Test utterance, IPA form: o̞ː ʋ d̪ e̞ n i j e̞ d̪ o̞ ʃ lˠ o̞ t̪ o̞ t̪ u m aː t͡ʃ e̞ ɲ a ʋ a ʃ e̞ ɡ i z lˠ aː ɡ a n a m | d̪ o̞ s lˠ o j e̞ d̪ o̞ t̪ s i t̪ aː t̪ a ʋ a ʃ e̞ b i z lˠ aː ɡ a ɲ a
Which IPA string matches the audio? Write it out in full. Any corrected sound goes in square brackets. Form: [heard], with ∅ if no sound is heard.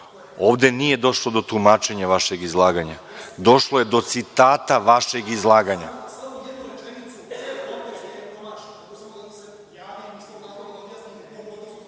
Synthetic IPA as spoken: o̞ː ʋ d̪ e̞ n i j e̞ d̪ o̞ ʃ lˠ o̞ [d̪] o̞ t̪ u m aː t͡ʃ e̞ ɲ a ʋ a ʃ e̞ ɡ i z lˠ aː ɡ a [ɲ] a [∅] | d̪ o̞ [ʃ] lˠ o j e̞ d̪ o̞ t̪ s i t̪ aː t̪ a ʋ a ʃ e̞ [ɡ] i z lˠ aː ɡ a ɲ a